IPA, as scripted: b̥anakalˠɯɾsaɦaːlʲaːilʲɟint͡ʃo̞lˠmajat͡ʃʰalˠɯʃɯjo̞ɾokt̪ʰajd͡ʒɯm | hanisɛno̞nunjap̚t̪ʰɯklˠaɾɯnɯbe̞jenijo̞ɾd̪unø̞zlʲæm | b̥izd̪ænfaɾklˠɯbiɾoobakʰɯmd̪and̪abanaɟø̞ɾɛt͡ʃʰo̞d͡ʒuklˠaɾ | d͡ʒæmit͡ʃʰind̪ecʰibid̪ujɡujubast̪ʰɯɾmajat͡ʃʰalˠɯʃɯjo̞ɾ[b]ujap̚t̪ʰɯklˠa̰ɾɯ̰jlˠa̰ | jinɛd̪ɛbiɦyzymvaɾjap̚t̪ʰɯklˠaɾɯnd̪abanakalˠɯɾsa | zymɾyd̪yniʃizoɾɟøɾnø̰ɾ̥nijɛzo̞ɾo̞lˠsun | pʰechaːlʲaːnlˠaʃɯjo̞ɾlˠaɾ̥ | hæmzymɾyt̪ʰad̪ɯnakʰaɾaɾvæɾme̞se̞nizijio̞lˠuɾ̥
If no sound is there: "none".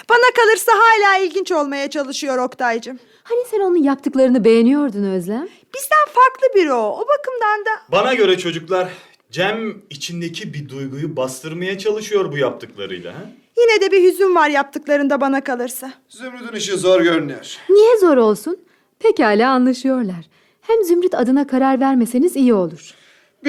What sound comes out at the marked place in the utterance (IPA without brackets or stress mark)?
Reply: b